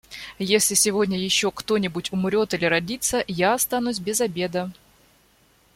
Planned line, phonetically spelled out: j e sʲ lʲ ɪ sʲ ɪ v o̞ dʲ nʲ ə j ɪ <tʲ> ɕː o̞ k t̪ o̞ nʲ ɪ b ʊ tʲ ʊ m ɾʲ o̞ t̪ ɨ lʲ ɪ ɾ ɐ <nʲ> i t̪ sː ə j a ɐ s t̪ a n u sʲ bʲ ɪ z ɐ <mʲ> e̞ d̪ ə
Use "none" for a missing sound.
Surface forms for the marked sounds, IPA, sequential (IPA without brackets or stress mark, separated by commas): none, dʲ, bʲ